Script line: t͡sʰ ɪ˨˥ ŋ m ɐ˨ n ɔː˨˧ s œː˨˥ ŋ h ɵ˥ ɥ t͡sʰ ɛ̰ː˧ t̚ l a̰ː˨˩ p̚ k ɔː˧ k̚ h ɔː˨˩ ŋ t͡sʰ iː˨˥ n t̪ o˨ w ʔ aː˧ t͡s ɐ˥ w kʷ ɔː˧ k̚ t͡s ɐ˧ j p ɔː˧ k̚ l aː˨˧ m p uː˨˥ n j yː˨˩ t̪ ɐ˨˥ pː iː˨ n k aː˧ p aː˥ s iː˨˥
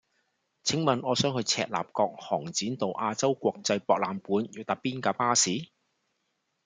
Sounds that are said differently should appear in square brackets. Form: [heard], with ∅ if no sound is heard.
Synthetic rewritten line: t͡sʰ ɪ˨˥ ŋ m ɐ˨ n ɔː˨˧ s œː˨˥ ŋ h [ɵ˧] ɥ t͡sʰ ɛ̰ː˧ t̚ l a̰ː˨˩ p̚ k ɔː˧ k̚ h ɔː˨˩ ŋ [t͡s] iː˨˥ n t̪ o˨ w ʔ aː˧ t͡s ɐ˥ w kʷ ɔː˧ k̚ t͡s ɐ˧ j p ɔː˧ k̚ l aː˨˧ m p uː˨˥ n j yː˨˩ t̪ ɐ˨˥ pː [iː˥] n k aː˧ p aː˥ s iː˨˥